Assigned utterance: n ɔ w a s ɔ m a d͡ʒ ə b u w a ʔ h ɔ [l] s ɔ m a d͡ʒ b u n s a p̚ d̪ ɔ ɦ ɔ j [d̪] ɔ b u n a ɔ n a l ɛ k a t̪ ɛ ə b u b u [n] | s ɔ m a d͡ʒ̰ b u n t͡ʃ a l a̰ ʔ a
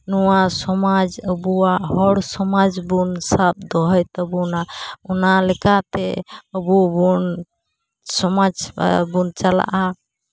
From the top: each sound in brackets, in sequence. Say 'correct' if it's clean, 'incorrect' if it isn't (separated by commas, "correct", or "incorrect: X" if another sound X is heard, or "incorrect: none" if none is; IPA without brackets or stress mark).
incorrect: ɽ, incorrect: t̪, correct